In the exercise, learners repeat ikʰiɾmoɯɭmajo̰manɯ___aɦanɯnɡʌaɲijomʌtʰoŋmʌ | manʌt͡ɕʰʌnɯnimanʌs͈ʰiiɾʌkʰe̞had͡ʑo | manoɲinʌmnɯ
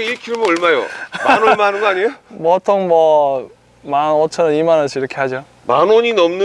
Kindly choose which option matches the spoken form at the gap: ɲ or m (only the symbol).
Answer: m